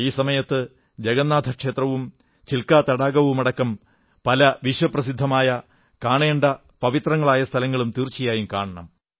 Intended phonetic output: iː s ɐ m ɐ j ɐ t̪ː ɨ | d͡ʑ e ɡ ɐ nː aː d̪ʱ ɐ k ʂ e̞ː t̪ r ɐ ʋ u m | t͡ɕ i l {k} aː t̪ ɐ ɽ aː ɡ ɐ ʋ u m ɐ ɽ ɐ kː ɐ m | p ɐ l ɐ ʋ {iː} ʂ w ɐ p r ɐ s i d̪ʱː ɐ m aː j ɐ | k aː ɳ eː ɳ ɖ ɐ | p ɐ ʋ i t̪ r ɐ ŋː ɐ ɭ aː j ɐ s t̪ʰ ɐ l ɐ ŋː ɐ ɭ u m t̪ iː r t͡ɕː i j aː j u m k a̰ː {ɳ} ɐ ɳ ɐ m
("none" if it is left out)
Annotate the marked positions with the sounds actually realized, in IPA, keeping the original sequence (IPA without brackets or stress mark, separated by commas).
k, i, ɳ